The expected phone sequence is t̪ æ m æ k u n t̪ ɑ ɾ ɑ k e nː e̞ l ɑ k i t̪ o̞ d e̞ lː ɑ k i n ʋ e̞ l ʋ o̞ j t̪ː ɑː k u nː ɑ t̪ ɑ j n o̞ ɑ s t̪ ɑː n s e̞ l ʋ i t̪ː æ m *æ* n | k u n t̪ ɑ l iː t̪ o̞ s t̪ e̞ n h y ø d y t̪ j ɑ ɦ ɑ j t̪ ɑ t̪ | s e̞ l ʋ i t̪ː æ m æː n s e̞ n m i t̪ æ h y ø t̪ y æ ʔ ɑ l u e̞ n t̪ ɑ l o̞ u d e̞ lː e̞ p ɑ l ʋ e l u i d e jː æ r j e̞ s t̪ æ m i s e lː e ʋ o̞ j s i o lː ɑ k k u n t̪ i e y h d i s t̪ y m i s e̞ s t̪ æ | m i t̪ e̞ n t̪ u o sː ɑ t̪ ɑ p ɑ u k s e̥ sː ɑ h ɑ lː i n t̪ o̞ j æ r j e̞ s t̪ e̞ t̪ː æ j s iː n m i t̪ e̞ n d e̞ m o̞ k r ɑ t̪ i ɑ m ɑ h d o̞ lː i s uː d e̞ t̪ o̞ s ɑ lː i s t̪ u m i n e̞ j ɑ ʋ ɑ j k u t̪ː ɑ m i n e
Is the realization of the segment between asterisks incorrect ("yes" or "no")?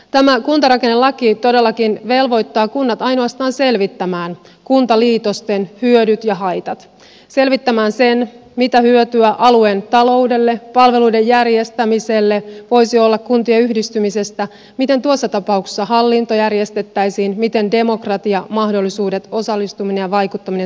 yes